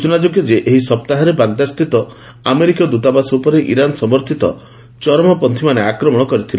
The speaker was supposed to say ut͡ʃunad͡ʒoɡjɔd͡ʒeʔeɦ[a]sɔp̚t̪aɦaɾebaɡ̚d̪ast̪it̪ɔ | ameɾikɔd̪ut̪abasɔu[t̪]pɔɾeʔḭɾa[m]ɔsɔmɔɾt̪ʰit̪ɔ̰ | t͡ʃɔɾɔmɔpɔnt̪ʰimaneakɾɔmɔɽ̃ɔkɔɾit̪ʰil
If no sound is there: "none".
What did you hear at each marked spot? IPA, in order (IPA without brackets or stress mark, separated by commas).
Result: i, none, n